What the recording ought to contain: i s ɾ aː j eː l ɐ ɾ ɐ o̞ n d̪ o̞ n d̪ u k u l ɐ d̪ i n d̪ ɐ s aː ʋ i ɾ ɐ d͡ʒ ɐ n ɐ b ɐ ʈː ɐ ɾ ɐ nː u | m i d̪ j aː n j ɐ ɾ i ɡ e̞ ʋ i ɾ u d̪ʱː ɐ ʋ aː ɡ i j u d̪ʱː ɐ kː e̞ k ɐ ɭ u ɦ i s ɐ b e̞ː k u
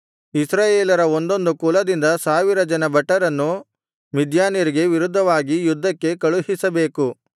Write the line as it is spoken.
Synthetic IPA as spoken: i s ɾ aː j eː l ɐ ɾ ɐ o̞ n d̪ o̞ n d̪ u k u l ɐ d̪ i n d̪ ɐ s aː ʋ i ɾ ɐ d͡ʒ ɐ n ɐ b ɐ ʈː ɐ ɾ ɐ nː u | m i d̪ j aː n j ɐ ɾ i ɡ e̞ ʋ i ɾ u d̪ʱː ɐ ʋ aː ɡ i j u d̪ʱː ɐ kː e̞ k ɐ ɭ u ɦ i s ɐ b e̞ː k u